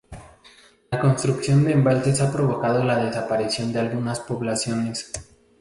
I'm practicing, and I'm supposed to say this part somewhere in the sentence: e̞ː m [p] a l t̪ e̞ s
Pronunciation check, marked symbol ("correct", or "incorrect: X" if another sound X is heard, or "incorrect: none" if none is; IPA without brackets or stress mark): incorrect: b